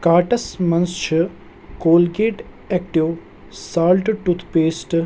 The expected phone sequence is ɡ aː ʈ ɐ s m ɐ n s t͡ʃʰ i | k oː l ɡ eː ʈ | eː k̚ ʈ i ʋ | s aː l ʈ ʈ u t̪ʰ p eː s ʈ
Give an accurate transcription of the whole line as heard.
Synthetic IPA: k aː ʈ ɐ s m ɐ n s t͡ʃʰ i | k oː l ɡ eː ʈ | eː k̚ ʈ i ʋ | s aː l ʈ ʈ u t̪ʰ p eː s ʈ